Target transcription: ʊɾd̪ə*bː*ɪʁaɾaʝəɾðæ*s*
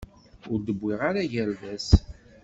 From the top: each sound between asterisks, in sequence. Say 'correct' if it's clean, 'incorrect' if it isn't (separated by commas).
correct, correct